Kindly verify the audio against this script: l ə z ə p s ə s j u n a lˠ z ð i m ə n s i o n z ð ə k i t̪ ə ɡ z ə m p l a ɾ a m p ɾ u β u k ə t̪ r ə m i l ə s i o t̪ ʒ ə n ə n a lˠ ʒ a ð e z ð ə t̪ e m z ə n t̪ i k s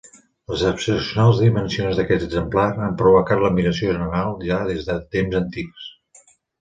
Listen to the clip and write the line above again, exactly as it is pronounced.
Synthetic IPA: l ə z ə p s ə s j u n a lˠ z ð i m ə n s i o n z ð ə k ɛ t̪ ə ɡ z ə m p l a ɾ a m p ɾ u β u k a t̪ l ə m i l ə s i o ʒ ə n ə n a lˠ ʒ a ð e z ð ə t̪ e m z ə n t̪ i k s